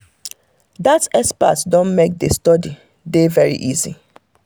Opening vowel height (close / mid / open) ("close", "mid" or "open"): open